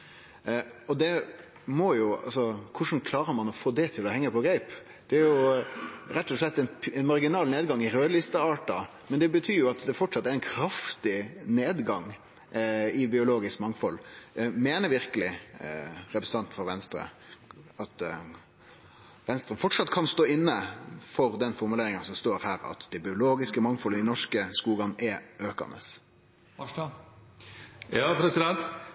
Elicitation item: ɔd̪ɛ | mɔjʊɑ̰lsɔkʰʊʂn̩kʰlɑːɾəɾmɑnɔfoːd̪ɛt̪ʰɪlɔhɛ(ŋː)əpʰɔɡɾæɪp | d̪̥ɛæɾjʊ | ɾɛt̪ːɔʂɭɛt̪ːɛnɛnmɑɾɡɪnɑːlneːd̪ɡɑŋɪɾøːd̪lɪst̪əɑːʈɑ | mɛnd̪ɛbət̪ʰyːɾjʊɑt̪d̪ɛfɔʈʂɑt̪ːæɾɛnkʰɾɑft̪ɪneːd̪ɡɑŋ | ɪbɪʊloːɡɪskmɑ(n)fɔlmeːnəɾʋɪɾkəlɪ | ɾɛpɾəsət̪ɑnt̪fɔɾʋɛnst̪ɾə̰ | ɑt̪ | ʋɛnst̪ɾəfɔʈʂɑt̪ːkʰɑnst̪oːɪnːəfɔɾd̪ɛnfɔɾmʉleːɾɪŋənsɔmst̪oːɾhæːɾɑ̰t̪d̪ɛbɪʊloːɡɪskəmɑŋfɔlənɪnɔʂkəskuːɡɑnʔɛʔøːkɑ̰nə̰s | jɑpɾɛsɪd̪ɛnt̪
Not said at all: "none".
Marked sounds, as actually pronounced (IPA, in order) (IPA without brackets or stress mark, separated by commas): ŋː, ŋ